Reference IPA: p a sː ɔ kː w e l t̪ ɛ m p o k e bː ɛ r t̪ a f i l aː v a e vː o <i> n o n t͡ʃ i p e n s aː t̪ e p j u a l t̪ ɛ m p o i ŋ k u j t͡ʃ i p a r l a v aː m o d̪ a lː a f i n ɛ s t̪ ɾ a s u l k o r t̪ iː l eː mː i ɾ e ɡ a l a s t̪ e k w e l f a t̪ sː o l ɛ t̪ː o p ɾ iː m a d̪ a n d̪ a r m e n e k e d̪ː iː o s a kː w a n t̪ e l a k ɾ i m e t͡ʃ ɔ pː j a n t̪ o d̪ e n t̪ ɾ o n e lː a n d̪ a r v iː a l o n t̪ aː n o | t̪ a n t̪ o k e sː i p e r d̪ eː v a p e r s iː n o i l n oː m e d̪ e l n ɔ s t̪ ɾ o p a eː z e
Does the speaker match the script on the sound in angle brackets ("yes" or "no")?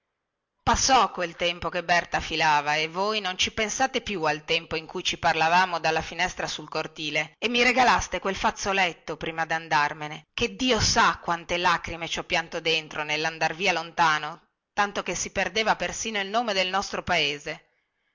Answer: no